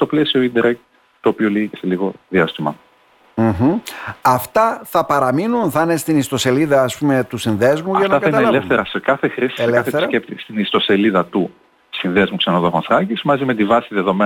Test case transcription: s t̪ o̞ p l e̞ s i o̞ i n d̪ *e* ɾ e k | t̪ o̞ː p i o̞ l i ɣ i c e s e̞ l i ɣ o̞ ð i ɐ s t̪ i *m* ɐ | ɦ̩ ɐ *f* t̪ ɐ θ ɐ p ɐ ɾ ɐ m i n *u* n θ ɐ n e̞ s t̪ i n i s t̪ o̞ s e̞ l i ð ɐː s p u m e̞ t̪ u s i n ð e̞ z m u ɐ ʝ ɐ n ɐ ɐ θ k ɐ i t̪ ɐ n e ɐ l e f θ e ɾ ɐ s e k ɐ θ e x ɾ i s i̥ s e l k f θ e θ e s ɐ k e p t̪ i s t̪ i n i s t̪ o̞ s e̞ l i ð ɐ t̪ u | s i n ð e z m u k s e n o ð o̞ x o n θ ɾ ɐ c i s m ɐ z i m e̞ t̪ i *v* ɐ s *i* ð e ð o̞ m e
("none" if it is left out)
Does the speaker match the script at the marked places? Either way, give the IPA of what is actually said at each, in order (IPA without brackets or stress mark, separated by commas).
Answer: e, m, f, u, v, i